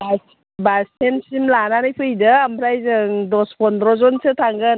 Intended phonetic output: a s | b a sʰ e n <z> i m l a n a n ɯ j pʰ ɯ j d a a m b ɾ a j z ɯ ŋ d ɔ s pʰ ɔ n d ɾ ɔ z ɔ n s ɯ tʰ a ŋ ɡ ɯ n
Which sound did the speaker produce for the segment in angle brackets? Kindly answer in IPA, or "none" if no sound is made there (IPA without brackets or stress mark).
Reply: s